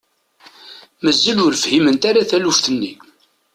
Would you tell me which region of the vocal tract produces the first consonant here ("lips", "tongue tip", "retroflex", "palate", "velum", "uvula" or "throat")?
lips